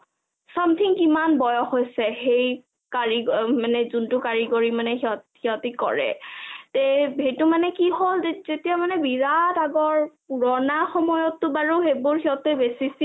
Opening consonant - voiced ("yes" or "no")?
no